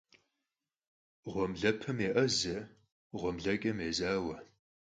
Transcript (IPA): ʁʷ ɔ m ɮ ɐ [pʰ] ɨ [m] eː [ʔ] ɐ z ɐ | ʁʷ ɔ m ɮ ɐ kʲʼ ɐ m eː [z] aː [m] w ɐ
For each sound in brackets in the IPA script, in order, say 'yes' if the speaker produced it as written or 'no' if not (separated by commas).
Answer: yes, yes, yes, yes, no